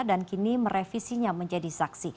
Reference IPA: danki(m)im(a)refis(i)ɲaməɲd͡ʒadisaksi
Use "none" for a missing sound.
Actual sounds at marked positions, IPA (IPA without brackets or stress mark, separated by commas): n, ə, i